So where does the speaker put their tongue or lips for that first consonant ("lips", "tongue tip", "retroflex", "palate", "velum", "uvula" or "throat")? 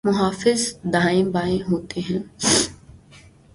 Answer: lips